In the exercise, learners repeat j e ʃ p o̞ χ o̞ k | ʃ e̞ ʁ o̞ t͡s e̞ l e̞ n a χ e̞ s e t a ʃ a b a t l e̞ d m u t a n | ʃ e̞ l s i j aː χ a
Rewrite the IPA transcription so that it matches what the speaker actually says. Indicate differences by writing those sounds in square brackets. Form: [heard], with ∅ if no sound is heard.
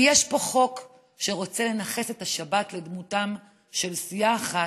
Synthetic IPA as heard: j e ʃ p o̞ χ o̞ k | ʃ e̞ ʁ o̞ t͡s e̞ l e̞ n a χ e̞ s e t a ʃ a b a t l e̞ d m u t a [m] | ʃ e̞ l s i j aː χ a